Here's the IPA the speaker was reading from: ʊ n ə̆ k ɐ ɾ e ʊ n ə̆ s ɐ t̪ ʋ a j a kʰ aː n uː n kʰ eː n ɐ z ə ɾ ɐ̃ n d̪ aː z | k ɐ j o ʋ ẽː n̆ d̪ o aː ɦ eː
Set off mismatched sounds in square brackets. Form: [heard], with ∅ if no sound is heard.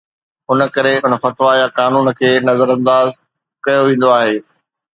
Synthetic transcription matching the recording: ʊ n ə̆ k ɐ ɾ e ʊ n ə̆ [f] ɐ t̪ ʋ a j a [k] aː n uː n kʰ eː n ɐ z ə ɾ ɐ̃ n d̪ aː z | k ɐ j o ʋ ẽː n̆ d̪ o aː ɦ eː

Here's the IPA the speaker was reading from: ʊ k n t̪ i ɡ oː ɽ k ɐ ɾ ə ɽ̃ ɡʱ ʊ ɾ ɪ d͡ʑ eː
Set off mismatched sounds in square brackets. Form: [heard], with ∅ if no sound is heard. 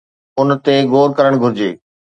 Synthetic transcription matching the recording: ʊ [∅] n t̪ [e] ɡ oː [ɾ] k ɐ ɾ ə ɽ̃ ɡʱ ʊ ɾ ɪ d͡ʑ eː

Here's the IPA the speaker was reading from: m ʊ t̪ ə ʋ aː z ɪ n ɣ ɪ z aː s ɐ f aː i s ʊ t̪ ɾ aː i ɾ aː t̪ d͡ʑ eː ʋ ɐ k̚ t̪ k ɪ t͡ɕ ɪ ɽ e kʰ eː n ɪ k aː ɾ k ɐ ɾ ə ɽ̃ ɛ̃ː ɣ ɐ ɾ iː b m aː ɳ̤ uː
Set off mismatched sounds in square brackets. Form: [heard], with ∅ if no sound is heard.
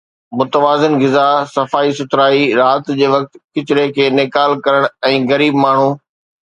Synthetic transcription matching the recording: m ʊ t̪ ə ʋ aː z ɪ n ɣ ɪ z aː s ɐ f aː i s ʊ t̪ ɾ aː i ɾ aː t̪ d͡ʑ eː ʋ ɐ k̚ t̪ k ɪ t͡ɕ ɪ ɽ e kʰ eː n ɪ k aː [l] k ɐ ɾ ə ɽ̃ ɛ̃ː ɣ ɐ ɾ iː b m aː ɳ̤ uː

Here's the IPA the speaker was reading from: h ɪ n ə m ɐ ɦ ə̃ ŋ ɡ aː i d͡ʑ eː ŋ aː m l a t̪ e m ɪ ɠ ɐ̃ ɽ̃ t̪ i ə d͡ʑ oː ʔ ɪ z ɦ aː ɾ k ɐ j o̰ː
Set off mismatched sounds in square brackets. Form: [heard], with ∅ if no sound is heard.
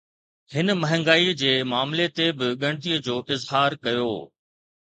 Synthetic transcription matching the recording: h ɪ n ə m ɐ ɦ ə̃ ŋ ɡ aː i d͡ʑ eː [m] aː m l [e] t̪ e [b] ɪ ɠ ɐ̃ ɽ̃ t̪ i ə d͡ʑ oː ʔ ɪ z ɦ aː ɾ k ɐ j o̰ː

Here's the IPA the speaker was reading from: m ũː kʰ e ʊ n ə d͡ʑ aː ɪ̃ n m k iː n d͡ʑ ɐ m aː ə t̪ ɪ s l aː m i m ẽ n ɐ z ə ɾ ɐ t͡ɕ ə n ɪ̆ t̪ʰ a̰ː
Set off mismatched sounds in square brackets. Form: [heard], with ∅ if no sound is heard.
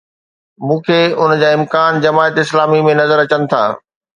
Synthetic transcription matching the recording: m ũː kʰ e ʊ n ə d͡ʑ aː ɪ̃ [∅] m k [aː] n d͡ʑ ɐ m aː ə t̪ ɪ s l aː m i m ẽ n ɐ z ə ɾ ɐ t͡ɕ ə n ɪ̆ t̪ʰ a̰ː

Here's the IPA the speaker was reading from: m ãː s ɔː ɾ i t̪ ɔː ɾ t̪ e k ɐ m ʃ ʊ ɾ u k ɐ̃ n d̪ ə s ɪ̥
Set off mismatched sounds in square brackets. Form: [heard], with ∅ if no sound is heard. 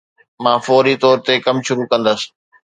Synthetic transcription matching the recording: m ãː [f] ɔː ɾ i t̪ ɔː ɾ t̪ e k ɐ m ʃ ʊ ɾ u k ɐ̃ n d̪ ə s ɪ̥

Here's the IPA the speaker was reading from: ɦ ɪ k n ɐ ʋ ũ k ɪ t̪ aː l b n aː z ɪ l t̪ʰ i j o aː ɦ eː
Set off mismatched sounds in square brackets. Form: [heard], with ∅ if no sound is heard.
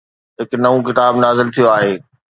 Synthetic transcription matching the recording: ɦ ɪ k n ɐ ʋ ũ k ɪ t̪ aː [∅] b n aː z ɪ l t̪ʰ i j o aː ɦ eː

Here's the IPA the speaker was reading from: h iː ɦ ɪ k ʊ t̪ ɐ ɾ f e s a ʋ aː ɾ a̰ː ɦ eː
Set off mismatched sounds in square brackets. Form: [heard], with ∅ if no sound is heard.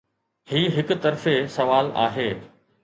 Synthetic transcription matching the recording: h iː ɦ ɪ k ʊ t̪ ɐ ɾ f e s [ɐ] ʋ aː [l] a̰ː ɦ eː

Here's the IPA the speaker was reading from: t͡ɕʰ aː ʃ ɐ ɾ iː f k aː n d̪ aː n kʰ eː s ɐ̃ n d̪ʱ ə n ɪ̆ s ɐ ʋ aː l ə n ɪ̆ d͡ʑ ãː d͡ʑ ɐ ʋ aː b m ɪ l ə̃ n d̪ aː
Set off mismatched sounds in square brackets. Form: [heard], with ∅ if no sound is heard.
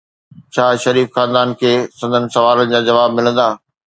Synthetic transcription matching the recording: t͡ɕʰ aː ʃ ɐ ɾ iː f [x] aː n d̪ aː n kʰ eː s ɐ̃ n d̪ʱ ə n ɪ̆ s ɐ ʋ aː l ə n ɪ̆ d͡ʑ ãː d͡ʑ ɐ ʋ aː b m ɪ l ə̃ n d̪ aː

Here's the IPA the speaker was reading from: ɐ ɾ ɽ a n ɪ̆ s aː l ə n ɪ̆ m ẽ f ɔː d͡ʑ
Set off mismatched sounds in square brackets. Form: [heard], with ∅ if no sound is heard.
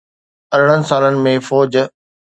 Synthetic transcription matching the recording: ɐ ɾ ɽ [ə] n ɪ̆ s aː l ə n ɪ̆ m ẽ f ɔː d͡ʑ

